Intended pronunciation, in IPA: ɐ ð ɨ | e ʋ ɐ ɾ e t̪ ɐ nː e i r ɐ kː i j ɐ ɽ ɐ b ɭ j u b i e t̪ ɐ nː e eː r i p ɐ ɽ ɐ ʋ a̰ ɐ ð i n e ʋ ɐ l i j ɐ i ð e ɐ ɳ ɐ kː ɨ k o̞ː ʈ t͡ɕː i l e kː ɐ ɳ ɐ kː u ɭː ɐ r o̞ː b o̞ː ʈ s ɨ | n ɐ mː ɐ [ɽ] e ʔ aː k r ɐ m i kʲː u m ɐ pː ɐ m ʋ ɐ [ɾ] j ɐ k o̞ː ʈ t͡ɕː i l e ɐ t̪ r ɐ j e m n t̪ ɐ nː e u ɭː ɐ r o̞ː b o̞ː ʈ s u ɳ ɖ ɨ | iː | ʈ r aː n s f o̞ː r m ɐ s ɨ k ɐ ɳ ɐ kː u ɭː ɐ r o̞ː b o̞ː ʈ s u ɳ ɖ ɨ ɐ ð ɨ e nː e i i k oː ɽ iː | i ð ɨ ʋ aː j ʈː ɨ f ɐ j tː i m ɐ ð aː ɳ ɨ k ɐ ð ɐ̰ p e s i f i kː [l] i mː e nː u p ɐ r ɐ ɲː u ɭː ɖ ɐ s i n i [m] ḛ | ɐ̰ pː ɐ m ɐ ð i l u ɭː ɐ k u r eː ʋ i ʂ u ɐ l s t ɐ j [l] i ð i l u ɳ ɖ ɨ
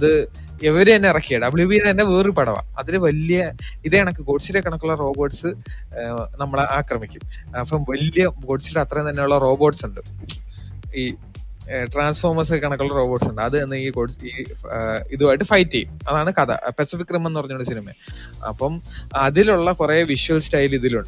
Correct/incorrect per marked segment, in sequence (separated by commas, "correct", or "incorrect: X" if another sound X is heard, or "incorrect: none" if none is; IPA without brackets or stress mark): incorrect: ɭ, incorrect: l, incorrect: r, correct, correct